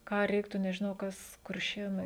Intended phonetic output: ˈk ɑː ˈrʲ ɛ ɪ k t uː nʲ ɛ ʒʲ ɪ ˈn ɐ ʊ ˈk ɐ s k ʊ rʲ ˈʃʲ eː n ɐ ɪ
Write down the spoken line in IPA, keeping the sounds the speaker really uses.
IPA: ˈk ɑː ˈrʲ ɛ ɪ k t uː nʲ ɛ ʒʲ ɪ ˈn ɐ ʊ ˈk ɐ s k ʊ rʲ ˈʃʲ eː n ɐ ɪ